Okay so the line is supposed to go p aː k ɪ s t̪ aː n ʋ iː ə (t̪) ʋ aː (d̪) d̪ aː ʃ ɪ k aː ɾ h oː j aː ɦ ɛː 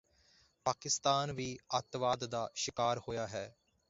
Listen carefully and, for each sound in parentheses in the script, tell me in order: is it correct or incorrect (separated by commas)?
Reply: correct, correct